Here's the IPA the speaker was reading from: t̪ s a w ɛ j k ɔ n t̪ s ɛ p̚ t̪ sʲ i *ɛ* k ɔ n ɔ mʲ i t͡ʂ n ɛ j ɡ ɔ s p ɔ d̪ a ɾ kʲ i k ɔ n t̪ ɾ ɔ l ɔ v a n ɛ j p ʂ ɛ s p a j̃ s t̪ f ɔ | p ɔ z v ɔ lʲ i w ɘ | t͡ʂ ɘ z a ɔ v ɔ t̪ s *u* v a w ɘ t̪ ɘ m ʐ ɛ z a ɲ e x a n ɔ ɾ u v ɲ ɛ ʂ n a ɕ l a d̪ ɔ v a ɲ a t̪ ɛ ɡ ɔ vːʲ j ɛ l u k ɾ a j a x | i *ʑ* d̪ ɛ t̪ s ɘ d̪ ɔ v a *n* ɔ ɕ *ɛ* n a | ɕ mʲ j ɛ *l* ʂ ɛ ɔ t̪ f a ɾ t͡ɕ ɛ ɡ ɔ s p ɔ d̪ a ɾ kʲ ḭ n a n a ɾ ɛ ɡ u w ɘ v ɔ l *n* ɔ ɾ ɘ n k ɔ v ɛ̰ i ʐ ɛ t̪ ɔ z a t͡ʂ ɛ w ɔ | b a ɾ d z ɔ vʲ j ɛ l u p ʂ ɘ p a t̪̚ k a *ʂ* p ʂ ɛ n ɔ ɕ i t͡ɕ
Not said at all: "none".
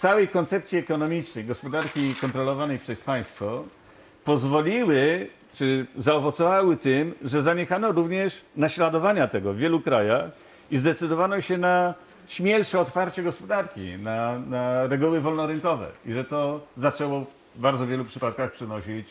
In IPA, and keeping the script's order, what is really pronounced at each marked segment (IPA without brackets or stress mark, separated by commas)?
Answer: ɛ, ɔ, z, n, ɛ, l, n, x